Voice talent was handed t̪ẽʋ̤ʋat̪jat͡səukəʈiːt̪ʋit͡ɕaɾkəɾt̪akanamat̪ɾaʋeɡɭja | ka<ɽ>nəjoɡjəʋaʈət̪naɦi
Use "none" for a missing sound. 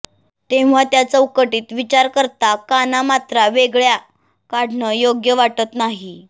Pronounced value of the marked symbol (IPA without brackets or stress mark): ɽ